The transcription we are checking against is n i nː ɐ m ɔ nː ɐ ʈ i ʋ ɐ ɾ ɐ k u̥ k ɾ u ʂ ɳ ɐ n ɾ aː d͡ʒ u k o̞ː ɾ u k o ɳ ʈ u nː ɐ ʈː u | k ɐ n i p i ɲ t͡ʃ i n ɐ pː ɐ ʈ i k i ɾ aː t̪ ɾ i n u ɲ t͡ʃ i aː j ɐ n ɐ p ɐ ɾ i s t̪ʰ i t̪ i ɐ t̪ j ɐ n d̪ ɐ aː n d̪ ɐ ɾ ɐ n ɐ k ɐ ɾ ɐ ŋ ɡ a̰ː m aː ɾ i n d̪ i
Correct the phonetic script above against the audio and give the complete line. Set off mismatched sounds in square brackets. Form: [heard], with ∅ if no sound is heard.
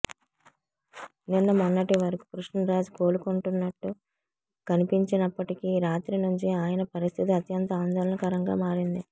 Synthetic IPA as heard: n i nː ɐ m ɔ nː ɐ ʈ i ʋ ɐ ɾ ɐ k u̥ k ɾ u ʂ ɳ ɐ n ɾ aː d͡ʒ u k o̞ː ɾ u k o ɳ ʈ u nː ɐ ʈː u | k ɐ n i p i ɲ t͡ʃ i n ɐ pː ɐ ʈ i k i ɾ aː t̪ ɾ i n u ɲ t͡ʃ i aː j ɐ n ɐ p ɐ ɾ i s t̪ʰ i t̪ i ɐ t̪ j ɐ n [t̪] ɐ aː n d̪ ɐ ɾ ɐ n ɐ k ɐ ɾ ɐ ŋ ɡ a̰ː m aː ɾ i n d̪ i